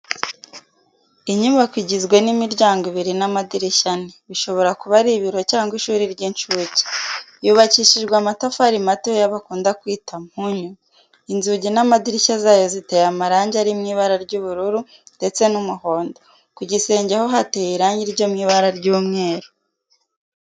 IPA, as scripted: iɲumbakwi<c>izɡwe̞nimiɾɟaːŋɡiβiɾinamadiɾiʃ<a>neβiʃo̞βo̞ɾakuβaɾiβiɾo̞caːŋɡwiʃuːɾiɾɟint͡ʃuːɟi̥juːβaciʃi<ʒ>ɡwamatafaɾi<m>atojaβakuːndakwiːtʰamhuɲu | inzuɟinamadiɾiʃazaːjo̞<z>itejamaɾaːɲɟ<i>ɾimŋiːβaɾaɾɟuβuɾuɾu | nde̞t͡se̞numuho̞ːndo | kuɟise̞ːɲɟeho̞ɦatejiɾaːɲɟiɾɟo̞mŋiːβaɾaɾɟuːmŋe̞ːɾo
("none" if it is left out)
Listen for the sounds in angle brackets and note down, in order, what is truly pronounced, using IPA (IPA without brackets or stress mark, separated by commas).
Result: ɟ, a, ʒ, m, z, a